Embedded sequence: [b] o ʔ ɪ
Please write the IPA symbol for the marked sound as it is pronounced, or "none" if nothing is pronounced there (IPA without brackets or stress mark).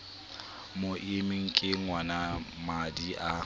m